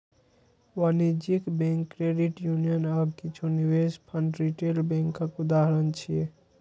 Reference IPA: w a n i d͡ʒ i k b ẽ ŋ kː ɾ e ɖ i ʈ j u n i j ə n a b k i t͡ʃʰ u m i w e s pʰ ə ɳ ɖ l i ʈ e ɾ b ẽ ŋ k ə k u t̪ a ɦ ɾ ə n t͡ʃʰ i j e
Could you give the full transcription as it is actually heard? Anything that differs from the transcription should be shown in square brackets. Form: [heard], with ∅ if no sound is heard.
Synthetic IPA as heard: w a n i d͡ʒ i k b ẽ ŋ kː ɾ e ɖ i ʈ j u n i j ə n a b k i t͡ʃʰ u [n] i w e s pʰ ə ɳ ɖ [ɾ] i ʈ e [l] b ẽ ŋ k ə k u [d̪] a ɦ ɾ ə n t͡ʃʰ i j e